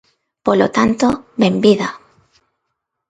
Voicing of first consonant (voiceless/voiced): voiceless